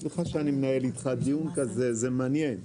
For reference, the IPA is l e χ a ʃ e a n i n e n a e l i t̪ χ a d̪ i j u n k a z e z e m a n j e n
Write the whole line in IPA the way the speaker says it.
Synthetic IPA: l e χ a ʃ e a n i m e n a e l i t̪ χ a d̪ i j u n k a z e z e m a n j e n